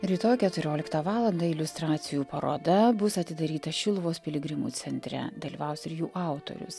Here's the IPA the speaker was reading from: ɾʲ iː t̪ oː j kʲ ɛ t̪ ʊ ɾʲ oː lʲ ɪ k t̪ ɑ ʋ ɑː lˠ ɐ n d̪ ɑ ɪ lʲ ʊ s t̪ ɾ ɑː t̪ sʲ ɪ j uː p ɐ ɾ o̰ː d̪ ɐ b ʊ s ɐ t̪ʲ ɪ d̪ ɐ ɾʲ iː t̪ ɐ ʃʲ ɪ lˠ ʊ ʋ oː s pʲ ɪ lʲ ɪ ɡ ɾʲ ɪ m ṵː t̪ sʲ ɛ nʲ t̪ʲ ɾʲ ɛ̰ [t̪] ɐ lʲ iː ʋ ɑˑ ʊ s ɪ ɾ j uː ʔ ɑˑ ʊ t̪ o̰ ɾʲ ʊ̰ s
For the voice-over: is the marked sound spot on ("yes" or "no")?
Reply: no